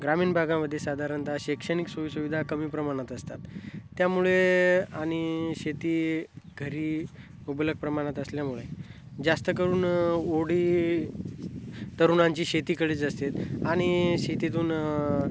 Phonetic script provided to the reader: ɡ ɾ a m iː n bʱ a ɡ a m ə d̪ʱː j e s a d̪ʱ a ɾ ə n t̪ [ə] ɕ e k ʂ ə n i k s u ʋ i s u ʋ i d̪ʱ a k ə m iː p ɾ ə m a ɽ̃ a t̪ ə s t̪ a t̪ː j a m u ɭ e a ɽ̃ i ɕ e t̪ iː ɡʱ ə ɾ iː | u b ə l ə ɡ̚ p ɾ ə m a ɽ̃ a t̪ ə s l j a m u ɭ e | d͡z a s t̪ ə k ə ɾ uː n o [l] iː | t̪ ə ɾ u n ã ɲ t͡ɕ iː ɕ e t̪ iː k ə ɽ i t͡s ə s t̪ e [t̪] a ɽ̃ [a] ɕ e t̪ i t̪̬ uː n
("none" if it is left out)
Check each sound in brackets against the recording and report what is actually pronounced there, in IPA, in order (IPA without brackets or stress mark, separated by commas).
a, ɽ, t̪, i